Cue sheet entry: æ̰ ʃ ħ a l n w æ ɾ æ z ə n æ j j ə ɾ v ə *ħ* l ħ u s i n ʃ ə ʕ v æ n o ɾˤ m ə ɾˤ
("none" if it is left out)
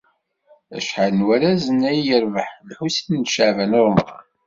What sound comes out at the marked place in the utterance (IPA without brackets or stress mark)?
ħ